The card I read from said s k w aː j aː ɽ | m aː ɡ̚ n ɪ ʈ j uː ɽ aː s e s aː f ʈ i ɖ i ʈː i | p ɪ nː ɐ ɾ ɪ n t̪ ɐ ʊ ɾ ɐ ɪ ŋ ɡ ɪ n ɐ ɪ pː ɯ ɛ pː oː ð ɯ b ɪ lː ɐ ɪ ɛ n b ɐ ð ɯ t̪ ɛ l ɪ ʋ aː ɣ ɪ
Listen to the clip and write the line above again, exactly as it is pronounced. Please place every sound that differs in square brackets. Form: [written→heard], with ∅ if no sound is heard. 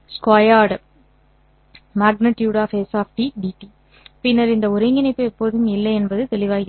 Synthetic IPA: s k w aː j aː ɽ | m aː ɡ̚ n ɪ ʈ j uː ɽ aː [s→f] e s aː f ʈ i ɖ i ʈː i | p ɪ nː ɐ ɾ ɪ n [t̪→d̪] ɐ ʊ ɾ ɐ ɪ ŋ ɡ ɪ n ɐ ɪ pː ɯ ɛ pː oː ð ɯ [b→m] ɪ lː ɐ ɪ ɛ n b ɐ ð ɯ t̪ ɛ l ɪ ʋ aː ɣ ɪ